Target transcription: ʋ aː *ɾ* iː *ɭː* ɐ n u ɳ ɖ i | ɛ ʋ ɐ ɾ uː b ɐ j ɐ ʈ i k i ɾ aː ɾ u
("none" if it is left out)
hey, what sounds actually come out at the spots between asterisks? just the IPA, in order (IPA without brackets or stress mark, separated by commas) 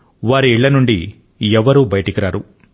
ɾ, ɭː